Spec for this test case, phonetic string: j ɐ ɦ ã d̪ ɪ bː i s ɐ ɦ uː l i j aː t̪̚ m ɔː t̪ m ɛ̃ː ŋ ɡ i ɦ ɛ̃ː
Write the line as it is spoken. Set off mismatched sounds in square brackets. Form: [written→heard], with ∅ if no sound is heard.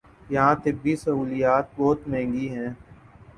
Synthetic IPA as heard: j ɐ ɦ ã [d̪→t̪] ɪ bː i s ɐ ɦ uː l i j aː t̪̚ [m→b] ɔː t̪ m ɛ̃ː ŋ ɡ i ɦ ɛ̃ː

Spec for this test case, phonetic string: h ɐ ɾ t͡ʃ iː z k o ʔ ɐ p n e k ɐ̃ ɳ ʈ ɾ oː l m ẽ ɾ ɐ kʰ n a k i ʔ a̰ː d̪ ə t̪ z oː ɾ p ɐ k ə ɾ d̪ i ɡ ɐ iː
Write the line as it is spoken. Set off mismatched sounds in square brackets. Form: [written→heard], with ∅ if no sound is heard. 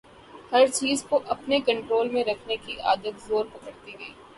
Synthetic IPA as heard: h ɐ ɾ t͡ʃ iː z k o ʔ ɐ p n e k ɐ̃ ɳ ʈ ɾ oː l m ẽ ɾ ɐ kʰ n [a→e] k i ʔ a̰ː d̪ ə t̪ z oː ɾ p ɐ k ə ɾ [d̪→t̪] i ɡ ɐ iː

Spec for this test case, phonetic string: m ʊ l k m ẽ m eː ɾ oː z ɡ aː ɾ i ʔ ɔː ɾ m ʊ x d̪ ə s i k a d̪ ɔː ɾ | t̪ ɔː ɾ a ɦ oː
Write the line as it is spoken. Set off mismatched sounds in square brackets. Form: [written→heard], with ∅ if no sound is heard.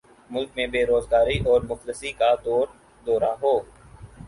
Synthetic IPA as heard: m ʊ l k m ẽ [m→b] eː ɾ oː z ɡ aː ɾ i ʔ ɔː ɾ m ʊ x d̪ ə s i k a d̪ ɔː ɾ | [t̪→d̪] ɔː ɾ a ɦ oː

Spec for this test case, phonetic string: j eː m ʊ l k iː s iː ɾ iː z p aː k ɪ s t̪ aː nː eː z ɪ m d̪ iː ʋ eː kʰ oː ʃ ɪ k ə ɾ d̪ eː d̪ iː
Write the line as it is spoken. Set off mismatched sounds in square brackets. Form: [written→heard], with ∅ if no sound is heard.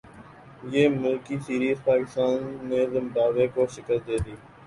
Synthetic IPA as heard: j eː m ʊ l k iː s iː ɾ iː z p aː k ɪ s t̪ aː nː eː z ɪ m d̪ [iː→aː] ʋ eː [kʰ→k] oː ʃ ɪ k ə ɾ d̪ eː d̪ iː

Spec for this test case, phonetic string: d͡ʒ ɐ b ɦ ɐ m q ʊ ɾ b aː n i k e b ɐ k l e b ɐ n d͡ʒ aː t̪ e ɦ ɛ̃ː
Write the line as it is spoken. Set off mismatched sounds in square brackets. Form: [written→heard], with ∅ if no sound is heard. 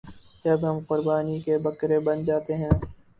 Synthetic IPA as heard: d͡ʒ ɐ b ɦ ɐ m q ʊ ɾ b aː n i k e b ɐ k [l→ɾ] e b ɐ n d͡ʒ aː t̪ e ɦ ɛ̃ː

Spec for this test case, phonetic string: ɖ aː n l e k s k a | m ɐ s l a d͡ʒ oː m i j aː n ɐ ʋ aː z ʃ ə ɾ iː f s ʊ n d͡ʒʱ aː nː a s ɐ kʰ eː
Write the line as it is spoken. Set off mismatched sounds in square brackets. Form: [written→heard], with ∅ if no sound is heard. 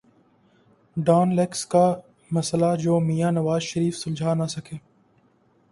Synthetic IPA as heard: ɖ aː n l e k s k a | m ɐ s l a d͡ʒ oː m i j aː n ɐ ʋ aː z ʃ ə ɾ iː f s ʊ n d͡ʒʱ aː [nː→n] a s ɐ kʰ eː

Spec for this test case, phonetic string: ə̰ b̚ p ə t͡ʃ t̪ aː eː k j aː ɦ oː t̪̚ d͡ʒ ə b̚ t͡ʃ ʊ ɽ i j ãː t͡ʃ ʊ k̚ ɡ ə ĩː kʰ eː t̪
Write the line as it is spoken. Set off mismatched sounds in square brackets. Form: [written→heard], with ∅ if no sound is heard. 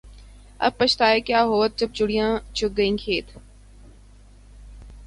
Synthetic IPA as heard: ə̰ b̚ p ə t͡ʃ t̪ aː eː k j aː ɦ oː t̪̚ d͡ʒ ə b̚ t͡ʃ ʊ ɽ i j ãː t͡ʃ ʊ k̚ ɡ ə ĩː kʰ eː t̪

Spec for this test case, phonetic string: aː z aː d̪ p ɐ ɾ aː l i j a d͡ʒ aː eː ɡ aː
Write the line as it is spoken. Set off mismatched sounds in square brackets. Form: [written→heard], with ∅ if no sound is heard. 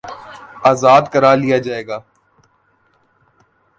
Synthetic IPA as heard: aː z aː d̪ [p→k] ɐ ɾ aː l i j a d͡ʒ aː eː ɡ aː

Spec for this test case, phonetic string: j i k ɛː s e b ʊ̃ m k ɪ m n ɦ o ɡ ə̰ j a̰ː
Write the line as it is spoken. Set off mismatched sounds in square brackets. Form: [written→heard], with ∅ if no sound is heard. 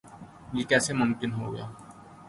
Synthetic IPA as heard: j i k ɛː s e [b→m] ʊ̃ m k ɪ [m→∅] n ɦ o ɡ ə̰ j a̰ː

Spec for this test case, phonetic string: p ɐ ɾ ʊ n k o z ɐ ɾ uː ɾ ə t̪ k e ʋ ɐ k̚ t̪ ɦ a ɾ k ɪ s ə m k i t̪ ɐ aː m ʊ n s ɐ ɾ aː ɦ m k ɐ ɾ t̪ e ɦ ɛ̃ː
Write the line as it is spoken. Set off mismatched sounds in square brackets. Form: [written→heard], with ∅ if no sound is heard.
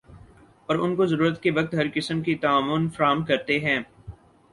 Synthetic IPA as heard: p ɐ ɾ ʊ n k o z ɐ ɾ uː ɾ ə t̪ k e ʋ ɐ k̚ t̪ ɦ [a→ɐ] ɾ k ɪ s ə m k i t̪ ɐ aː m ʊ n [s→f] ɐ ɾ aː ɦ m k ɐ ɾ t̪ e ɦ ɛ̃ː

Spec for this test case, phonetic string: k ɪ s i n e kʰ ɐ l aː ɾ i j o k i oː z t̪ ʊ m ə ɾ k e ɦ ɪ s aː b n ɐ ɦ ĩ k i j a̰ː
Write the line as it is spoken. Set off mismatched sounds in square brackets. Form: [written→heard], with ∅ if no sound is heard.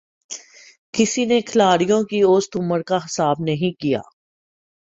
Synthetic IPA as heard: k ɪ s i n e kʰ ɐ l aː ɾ i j [o→õ] k i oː [z→s] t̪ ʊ m ə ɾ k [e→a] ɦ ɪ s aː b n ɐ ɦ ĩ k i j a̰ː

